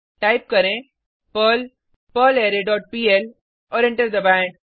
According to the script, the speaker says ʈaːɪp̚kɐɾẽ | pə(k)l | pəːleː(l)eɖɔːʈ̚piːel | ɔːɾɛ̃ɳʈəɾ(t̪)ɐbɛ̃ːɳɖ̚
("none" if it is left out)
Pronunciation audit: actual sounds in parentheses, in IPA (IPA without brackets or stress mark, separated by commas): none, ɾ, d̪